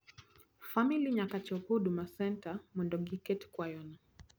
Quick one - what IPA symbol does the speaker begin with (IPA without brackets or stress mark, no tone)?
f